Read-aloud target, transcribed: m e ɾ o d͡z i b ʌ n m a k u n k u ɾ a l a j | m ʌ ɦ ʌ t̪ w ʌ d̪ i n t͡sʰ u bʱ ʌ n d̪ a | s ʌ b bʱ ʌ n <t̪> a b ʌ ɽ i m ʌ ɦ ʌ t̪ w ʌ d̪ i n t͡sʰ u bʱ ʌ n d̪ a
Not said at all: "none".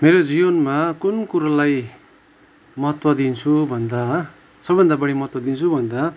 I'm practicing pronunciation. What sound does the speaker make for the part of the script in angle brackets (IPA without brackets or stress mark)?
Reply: d̪